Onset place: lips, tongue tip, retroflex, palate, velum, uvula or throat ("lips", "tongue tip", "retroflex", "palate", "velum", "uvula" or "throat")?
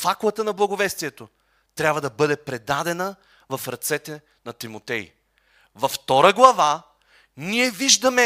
lips